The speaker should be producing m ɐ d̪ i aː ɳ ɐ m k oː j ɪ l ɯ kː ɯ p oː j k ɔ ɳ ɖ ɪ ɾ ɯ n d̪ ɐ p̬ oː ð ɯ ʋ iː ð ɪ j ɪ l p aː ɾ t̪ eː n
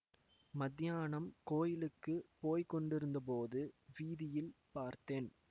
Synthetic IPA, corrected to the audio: m ɐ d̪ j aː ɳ ɐ m k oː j ɪ l ɯ kː ɯ p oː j k ɔ ɳ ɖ ɪ ɾ ɯ n d̪ ɐ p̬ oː ð ɯ ʋ iː ð ɪ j ɪ l p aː ɾ t̪ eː n